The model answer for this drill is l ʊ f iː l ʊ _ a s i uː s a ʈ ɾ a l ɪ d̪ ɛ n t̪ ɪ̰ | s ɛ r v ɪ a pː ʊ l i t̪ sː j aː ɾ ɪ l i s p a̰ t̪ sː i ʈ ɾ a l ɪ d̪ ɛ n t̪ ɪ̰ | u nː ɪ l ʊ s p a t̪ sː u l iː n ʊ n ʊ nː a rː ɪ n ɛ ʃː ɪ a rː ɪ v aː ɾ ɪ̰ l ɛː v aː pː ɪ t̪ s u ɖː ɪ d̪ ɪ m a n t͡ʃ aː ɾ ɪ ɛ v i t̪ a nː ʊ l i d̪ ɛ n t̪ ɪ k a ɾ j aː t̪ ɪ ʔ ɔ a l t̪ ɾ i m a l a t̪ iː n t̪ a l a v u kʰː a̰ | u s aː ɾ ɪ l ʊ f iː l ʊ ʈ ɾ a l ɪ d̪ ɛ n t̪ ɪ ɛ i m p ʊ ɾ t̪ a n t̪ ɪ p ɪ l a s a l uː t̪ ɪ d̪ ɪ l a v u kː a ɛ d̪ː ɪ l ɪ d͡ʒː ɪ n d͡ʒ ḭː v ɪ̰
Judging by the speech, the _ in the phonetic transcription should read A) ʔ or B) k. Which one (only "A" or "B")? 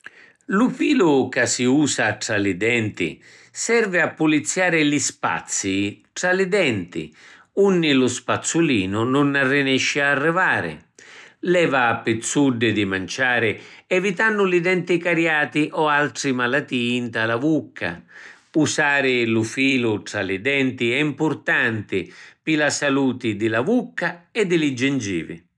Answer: B